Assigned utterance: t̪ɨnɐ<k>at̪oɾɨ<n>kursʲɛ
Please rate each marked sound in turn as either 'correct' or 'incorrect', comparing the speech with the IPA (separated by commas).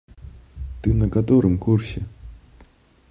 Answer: correct, incorrect